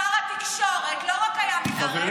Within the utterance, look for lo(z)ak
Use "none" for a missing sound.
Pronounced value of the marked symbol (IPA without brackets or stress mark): ʁ